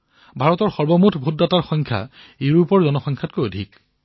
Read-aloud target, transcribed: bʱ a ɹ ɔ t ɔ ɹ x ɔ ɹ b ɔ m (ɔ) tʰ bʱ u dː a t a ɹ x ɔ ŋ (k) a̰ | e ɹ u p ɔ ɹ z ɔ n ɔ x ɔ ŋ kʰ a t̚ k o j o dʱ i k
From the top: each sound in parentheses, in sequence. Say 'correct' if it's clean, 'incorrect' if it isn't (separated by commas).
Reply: incorrect, incorrect